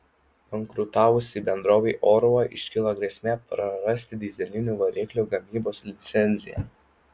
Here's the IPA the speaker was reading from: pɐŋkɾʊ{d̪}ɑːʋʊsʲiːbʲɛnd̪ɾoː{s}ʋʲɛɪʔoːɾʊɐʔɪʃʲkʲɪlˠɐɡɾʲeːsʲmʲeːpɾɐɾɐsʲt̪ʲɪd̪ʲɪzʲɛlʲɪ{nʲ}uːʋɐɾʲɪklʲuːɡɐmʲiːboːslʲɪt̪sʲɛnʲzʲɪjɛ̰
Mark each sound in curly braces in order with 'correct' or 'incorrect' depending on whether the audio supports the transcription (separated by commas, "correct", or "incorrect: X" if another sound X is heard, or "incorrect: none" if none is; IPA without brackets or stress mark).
incorrect: t̪, incorrect: none, correct